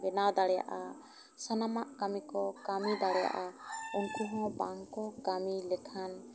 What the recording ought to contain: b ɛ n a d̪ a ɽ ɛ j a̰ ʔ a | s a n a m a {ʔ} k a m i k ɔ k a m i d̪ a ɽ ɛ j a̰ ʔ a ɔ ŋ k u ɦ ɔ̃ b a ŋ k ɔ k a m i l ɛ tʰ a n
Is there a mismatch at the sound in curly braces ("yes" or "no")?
no